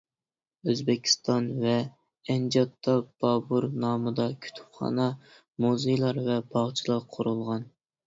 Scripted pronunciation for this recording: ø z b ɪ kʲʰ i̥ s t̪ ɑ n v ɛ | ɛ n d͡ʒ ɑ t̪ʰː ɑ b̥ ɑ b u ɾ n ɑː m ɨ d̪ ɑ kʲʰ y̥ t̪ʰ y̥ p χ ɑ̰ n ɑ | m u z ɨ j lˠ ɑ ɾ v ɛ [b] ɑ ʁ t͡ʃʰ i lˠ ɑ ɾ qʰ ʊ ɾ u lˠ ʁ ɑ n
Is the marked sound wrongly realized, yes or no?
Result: no